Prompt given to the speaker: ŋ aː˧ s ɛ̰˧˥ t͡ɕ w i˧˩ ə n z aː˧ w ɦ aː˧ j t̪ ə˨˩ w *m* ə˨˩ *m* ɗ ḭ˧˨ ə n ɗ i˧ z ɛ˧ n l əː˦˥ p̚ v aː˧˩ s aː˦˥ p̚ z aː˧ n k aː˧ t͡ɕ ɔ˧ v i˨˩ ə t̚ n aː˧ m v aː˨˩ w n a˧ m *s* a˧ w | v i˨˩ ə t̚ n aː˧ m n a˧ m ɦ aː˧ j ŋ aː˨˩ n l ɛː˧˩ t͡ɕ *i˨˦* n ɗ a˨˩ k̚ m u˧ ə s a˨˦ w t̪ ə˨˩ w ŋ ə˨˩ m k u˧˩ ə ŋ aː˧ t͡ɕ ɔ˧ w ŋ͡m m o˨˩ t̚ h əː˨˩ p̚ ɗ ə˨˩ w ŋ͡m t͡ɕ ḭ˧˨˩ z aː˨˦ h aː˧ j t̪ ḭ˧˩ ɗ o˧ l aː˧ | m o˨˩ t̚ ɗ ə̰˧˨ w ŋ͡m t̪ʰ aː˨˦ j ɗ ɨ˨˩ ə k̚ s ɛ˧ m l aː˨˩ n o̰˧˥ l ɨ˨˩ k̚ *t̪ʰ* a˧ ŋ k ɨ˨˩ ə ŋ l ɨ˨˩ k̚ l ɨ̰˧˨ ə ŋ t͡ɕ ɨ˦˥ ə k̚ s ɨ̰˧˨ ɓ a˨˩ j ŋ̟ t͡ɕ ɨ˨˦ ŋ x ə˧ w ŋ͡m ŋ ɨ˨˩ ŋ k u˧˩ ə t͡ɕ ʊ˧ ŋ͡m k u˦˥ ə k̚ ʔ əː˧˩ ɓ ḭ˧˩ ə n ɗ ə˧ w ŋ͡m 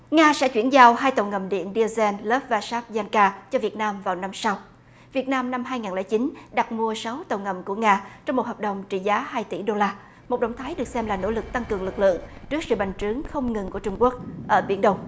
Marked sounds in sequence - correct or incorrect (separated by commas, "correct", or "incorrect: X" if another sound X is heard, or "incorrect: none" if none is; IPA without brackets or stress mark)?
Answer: incorrect: ŋ, correct, correct, correct, incorrect: t̪